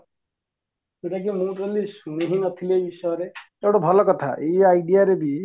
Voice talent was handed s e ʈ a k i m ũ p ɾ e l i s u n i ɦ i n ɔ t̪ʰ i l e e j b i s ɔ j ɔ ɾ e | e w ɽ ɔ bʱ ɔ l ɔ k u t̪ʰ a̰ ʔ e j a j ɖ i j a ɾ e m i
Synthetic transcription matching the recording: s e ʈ a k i m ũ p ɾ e l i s u n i ɦ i n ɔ t̪ʰ i l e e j b i s ɔ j ɔ ɾ e | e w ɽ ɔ bʱ ɔ l ɔ k ɔ t̪ʰ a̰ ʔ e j a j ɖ i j a ɾ e b i

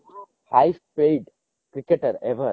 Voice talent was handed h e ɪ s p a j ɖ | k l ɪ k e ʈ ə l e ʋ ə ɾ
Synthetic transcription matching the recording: h a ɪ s p e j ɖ | k ɾ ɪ k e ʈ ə ɾ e ʋ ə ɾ

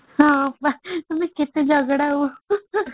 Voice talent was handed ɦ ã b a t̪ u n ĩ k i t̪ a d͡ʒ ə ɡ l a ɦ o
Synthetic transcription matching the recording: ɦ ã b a t̪ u m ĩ k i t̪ e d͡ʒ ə ɡ ɽ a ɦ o

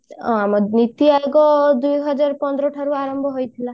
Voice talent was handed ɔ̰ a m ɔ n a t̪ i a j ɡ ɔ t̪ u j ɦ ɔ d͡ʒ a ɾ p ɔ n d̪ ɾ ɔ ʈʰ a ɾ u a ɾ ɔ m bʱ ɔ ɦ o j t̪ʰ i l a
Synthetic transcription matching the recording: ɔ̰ a m ɔ n i t̪ i a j ɡ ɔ d̪ u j ɦ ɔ d͡ʒ a ɾ p ɔ n d̪ ɾ ɔ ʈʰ a ɾ u a ɾ ɔ m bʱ ɔ ɦ o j t̪ʰ i l a

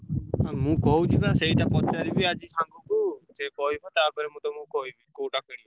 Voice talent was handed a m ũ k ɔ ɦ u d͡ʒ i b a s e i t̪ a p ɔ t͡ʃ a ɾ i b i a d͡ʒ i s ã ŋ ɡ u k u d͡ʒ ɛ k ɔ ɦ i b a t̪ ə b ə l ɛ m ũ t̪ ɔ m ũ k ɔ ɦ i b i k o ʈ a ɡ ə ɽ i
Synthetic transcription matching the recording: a m ũ k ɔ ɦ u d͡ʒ i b a s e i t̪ a p ɔ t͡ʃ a ɾ i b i a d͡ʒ i s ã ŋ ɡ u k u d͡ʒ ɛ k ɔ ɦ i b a t̪ a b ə ɾ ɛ m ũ t̪ ɔ m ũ k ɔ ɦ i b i k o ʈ a k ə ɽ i

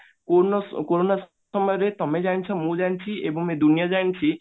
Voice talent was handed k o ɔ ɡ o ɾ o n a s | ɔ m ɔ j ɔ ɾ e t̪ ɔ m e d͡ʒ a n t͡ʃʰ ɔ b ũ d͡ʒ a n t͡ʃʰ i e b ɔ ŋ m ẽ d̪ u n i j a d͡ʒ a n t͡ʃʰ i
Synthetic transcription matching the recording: k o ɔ k o ɾ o n a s | ɔ m ɔ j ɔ ɾ e t̪ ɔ m e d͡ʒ a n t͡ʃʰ ɔ m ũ d͡ʒ a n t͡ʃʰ i e b ɔ ŋ m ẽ d̪ u n i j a d͡ʒ a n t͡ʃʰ i

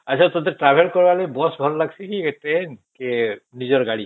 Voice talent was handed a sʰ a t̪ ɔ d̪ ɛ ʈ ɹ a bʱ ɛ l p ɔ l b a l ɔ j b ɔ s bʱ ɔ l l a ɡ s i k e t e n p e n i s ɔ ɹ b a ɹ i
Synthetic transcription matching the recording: a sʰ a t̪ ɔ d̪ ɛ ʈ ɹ a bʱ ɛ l k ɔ ɹ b a l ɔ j b ɔ s bʱ ɔ l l a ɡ s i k i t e n k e n i z ɔ ɹ ɡ a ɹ i

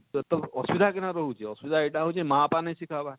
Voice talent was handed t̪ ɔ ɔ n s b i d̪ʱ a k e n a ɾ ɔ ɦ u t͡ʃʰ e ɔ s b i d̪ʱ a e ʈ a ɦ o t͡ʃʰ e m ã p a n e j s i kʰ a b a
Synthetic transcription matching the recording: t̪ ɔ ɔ s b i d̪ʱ a k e n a ɾ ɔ ɦ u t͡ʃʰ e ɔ s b i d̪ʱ a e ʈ a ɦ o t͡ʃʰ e m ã p a n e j s i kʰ a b a

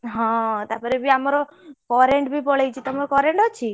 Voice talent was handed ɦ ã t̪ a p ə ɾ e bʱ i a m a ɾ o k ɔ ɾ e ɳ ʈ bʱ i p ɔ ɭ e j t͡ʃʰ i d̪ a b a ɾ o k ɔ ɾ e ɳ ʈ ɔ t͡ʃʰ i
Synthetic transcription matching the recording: ɦ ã t̪ a p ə ɾ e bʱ i a m a ɾ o k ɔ ɾ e ɳ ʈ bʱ i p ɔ ɭ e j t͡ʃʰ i t̪ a m a ɾ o k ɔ ɾ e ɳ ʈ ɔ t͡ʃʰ i

